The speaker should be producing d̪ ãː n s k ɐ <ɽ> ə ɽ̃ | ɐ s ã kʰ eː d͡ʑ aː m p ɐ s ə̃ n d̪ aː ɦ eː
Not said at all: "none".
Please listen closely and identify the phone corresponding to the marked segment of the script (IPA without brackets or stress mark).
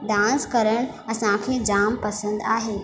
ɾ